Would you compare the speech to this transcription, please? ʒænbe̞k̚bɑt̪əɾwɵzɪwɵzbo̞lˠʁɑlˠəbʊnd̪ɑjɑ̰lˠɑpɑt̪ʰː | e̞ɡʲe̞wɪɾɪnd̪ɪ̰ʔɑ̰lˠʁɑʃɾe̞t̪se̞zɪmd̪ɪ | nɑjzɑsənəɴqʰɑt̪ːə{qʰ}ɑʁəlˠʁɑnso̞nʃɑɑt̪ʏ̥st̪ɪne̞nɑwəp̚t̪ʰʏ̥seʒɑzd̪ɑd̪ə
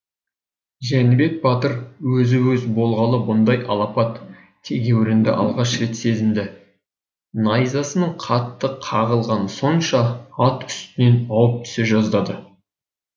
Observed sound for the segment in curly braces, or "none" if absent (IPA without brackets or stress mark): qʰ